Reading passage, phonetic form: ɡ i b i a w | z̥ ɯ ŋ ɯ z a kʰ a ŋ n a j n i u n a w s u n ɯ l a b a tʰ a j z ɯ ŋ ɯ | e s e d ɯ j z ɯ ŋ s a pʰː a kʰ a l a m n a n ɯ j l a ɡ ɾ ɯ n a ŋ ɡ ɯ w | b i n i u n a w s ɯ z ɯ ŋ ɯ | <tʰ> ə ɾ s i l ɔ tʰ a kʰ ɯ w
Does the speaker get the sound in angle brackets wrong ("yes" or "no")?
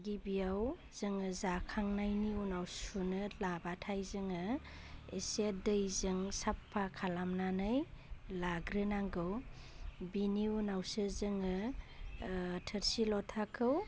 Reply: no